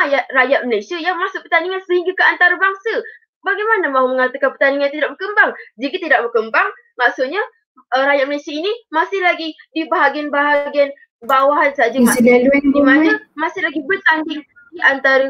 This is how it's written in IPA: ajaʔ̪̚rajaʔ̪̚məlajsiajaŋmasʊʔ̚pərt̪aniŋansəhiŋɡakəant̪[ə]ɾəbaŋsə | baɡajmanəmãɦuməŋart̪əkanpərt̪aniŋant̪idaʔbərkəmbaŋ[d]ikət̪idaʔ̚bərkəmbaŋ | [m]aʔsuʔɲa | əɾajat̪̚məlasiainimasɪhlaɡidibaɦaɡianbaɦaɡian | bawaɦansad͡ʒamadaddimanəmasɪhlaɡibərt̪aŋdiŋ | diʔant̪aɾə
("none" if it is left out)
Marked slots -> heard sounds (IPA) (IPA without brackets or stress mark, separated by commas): a, d͡ʒ, m